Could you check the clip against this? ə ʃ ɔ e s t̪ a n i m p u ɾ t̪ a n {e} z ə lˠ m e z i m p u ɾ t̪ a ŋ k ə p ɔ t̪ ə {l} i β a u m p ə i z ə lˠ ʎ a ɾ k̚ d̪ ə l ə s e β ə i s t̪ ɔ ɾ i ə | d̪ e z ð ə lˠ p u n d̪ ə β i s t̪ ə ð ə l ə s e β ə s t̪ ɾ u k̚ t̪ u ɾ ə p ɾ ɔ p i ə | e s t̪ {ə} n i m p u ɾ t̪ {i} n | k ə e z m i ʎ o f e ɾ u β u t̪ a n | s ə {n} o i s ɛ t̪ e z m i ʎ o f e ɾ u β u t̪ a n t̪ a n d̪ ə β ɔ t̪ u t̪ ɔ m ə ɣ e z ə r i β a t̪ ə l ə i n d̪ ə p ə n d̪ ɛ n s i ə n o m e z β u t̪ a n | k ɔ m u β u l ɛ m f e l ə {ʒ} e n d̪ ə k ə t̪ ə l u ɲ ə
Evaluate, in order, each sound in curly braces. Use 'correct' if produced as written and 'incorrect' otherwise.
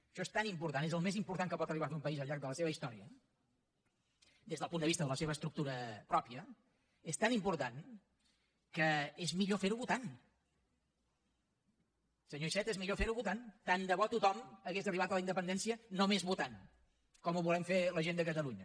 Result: correct, incorrect, incorrect, incorrect, incorrect, correct

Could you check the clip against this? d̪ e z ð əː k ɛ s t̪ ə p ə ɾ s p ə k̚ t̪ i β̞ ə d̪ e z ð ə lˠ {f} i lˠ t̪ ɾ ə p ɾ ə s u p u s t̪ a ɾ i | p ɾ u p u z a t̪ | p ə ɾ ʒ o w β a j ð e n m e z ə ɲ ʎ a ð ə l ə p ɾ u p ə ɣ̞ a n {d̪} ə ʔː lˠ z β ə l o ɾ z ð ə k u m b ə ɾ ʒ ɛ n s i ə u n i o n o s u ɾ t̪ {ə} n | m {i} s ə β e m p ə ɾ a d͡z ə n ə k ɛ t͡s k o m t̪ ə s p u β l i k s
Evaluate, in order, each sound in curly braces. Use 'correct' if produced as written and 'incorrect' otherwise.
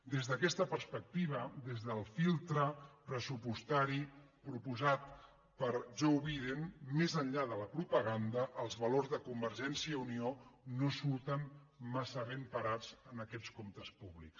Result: correct, correct, correct, incorrect

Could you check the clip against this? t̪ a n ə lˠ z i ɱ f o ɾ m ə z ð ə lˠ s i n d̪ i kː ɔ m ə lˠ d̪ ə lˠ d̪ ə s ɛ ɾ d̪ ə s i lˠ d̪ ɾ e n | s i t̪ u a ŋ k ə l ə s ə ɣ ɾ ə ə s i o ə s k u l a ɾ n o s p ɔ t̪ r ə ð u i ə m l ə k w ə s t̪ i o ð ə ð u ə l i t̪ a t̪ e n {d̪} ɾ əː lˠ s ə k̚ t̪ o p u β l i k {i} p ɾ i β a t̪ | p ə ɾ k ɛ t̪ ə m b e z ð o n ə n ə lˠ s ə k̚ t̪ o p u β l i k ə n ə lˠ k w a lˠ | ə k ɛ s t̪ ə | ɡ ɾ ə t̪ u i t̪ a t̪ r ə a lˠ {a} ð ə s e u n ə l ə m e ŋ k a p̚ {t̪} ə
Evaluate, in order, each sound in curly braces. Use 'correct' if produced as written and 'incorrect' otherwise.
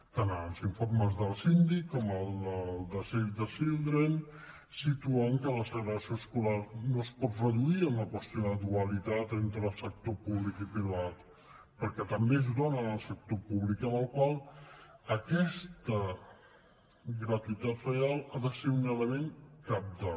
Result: incorrect, correct, correct, incorrect

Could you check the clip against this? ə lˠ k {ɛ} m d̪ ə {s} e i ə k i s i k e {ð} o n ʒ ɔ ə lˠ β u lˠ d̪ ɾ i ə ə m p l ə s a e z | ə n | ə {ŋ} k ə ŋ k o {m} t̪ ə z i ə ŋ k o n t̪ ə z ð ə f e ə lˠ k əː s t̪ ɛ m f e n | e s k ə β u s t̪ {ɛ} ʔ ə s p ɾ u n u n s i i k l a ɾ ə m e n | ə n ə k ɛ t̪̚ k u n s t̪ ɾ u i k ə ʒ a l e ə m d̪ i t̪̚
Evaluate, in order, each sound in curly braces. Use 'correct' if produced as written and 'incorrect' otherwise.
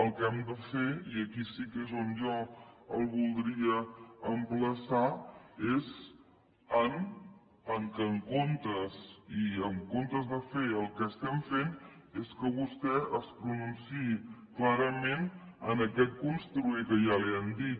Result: correct, incorrect, incorrect, correct, incorrect, correct

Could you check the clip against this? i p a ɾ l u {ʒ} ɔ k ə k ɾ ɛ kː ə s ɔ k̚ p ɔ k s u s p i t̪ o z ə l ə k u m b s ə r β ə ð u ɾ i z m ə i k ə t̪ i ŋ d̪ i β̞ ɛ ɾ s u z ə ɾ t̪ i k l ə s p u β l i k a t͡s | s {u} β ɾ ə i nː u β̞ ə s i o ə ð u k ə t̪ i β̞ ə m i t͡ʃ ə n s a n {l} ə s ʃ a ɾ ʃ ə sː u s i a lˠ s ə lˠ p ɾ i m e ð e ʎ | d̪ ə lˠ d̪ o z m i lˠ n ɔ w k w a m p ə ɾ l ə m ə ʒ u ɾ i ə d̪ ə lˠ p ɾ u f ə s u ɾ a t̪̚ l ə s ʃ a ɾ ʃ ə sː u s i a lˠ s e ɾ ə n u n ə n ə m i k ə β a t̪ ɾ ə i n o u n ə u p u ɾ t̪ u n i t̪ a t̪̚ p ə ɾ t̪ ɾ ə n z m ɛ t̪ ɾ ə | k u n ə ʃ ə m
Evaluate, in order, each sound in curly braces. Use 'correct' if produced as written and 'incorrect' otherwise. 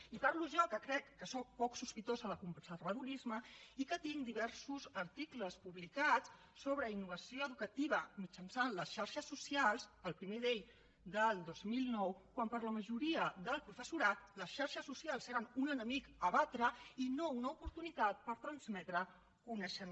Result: correct, incorrect, correct

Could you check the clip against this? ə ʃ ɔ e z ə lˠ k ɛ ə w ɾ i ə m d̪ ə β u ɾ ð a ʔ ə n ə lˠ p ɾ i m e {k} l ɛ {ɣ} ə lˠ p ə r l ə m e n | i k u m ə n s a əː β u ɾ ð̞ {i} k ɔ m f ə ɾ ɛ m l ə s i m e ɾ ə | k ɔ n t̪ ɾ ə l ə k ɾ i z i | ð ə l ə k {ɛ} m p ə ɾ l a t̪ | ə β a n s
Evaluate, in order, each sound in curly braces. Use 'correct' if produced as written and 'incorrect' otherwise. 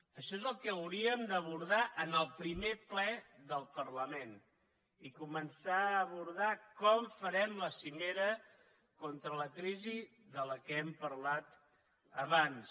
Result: incorrect, incorrect, incorrect, correct

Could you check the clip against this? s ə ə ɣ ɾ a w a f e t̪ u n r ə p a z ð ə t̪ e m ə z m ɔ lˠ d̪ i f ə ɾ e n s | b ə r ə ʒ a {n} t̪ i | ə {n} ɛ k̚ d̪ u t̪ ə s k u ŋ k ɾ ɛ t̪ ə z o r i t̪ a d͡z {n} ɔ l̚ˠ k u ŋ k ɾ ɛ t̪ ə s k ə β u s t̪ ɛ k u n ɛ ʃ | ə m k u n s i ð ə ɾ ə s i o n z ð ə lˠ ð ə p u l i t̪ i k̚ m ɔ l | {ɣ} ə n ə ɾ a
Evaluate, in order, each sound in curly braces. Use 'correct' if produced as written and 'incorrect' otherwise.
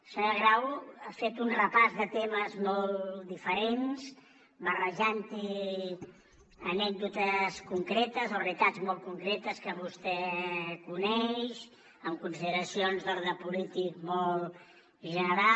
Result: correct, correct, incorrect, incorrect

